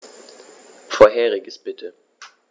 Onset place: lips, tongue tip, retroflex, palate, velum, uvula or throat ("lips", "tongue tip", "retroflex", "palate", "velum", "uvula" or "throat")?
lips